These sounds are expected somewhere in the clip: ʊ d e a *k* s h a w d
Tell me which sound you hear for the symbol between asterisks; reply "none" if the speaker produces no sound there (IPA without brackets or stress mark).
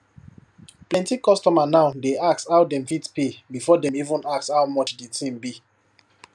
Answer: k